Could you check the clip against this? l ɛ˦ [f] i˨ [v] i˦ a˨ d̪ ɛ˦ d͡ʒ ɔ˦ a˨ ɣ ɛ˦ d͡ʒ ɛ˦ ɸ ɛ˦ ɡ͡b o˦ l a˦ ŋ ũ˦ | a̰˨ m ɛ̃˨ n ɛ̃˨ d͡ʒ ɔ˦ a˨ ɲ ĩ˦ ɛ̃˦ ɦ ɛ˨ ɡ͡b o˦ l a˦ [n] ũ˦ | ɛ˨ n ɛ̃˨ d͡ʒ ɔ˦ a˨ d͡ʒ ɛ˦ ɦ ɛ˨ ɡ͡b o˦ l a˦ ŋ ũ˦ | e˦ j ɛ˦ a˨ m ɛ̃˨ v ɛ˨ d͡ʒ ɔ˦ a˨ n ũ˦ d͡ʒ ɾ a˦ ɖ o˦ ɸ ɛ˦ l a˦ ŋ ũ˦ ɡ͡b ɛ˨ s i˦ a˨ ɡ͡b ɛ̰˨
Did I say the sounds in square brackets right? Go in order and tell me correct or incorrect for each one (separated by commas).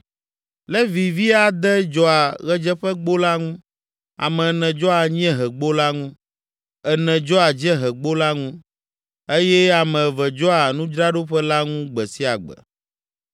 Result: incorrect, correct, incorrect